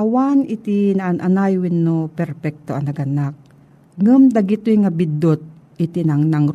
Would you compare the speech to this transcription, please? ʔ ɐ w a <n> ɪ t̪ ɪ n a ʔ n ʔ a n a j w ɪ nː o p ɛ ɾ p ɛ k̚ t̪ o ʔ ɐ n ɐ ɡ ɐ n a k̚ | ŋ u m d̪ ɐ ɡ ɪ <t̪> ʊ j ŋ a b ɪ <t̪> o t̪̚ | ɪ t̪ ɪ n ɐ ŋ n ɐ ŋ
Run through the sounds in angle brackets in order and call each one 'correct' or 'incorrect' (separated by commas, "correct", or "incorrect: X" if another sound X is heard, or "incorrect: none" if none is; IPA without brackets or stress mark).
correct, correct, incorrect: d̪